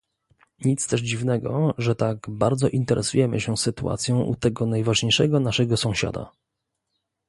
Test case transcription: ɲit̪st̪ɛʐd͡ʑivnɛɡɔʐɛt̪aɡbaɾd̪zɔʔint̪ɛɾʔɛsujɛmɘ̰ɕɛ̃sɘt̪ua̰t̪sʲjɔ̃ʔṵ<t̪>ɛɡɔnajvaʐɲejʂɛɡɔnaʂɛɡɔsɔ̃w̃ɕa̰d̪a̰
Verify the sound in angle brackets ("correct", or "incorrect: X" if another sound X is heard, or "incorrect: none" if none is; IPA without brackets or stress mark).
correct